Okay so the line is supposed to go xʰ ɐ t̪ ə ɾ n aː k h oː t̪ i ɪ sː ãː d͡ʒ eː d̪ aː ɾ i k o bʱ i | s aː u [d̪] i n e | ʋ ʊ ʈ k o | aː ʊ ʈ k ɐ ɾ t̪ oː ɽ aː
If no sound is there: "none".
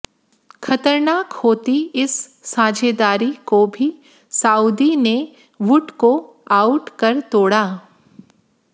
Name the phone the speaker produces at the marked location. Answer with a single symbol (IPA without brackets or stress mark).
d̪